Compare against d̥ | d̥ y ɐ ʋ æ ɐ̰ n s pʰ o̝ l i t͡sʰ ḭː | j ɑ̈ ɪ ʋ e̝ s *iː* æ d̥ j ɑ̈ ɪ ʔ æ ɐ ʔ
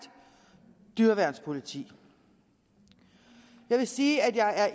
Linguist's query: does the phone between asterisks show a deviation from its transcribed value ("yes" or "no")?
no